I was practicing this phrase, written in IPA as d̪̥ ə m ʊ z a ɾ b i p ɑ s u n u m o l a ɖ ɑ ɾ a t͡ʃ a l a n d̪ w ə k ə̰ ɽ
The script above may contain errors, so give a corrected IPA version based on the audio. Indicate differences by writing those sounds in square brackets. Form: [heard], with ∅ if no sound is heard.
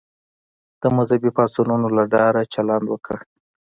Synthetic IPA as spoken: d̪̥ ə m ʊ z a [∅] b i p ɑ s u n u [n] o l a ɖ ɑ ɾ a t͡ʃ a l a n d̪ w ə k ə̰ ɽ